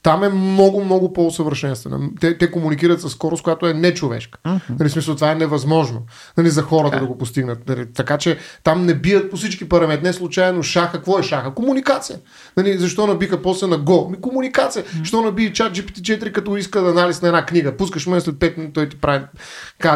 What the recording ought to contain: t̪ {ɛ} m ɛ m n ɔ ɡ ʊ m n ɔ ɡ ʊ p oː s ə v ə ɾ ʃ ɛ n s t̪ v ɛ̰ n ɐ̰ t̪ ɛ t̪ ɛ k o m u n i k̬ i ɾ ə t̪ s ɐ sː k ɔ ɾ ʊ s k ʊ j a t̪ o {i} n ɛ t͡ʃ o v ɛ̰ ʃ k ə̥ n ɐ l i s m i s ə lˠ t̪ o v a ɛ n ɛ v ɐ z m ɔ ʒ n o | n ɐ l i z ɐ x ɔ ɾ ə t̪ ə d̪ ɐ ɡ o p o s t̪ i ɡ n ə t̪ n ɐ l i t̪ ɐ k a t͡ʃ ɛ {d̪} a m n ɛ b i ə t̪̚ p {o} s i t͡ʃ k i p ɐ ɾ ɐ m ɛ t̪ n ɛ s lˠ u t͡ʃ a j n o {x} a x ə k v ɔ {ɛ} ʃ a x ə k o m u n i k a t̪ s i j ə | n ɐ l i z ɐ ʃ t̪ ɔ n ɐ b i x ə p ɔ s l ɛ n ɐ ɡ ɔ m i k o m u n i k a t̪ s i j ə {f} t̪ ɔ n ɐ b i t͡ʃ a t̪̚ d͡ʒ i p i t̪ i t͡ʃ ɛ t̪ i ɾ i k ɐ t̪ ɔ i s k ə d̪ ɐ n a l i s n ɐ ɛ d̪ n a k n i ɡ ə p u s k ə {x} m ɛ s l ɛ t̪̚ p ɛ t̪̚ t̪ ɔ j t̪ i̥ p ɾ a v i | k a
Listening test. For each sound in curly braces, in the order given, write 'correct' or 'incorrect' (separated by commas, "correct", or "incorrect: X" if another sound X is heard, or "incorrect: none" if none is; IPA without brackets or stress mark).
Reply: incorrect: a, incorrect: ɛ, incorrect: t̪, correct, incorrect: ʃ, correct, incorrect: ʃ, incorrect: ʃ